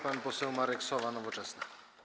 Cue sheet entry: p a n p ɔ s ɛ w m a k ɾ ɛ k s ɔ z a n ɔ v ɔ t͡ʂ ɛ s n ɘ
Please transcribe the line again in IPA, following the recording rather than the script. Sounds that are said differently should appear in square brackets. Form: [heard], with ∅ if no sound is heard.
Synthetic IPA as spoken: p a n p ɔ s ɛ w m a [∅] ɾ ɛ k s ɔ [v] a n ɔ v ɔ t͡ʂ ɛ s n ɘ